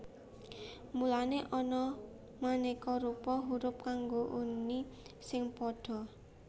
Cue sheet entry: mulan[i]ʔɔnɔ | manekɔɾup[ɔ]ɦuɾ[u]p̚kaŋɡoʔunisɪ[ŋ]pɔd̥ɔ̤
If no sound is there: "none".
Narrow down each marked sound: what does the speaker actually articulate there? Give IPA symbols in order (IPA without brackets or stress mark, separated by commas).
e, ɔ, ʊ, ŋ